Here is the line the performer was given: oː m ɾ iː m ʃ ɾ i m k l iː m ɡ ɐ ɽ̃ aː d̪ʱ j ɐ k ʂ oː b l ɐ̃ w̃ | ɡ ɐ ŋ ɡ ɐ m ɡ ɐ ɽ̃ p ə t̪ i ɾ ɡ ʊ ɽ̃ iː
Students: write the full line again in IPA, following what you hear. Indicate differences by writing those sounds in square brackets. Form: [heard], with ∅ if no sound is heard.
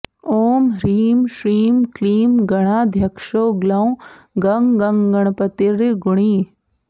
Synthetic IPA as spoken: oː m ɾ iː m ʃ ɾ [iː] m k l iː m ɡ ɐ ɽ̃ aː d̪ʱ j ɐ k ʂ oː [ɡ] l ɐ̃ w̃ | ɡ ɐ ŋ ɡ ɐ [ŋ] ɡ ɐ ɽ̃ p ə t̪ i ɾ ɡ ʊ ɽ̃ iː